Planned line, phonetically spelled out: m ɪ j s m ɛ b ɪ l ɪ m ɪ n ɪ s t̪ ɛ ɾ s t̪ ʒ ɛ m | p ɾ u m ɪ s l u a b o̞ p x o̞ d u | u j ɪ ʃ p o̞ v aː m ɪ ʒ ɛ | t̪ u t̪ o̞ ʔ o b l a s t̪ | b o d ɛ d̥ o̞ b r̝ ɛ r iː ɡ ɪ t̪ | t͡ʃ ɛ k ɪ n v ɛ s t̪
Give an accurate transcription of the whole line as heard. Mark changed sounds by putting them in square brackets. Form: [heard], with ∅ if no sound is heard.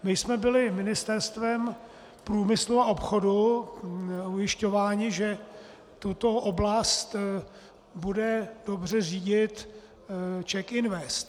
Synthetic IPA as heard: m ɪ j s m ɛ b ɪ l ɪ m ɪ n ɪ s t̪ ɛ ɾ s t̪ [v] ɛ m | p ɾ [uː] m ɪ s l u a [∅] o̞ p x o̞ d u | u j ɪ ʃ [c] o̞ v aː [ɲ] ɪ ʒ ɛ | t̪ u t̪ o̞ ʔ o b l a s t̪ | b [u] d ɛ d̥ o̞ b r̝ ɛ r iː [ɟ] ɪ t̪ | t͡ʃ ɛ k ɪ n v ɛ s t̪